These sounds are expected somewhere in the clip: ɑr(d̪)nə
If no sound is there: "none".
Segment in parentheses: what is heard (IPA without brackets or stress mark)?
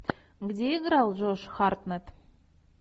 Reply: t̪